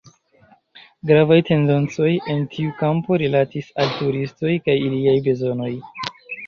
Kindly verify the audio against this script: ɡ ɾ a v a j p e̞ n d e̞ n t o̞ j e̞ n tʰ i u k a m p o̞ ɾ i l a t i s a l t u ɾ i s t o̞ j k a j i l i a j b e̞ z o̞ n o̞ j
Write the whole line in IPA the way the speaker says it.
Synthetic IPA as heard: ɡ ɾ a v a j t e̞ n d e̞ n t͡s o̞ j e̞ n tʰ i u k a m p o̞ ɾ i l a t i s a l t u ɾ i s t o̞ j k a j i l i a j b e̞ z o̞ n o̞ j

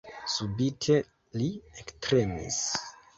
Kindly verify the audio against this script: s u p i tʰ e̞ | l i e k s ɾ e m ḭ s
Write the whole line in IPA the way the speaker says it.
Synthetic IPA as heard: s u b i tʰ e̞ | l i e k t ɾ e m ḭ s

